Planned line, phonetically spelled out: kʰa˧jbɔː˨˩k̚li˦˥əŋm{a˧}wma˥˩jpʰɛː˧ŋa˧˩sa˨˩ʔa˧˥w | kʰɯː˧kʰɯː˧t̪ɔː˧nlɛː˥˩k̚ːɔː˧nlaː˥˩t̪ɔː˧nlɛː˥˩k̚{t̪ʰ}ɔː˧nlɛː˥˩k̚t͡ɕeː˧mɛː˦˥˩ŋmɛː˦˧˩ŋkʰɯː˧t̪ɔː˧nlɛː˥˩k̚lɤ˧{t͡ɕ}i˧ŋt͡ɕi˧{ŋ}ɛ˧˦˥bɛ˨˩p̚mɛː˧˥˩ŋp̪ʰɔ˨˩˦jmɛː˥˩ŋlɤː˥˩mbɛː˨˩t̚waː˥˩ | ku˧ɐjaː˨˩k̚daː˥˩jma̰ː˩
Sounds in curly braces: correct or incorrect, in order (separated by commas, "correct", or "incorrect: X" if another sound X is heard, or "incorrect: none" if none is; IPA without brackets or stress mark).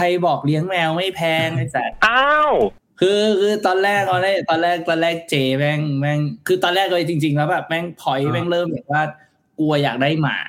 incorrect: ɛ˧, incorrect: t̪, correct, correct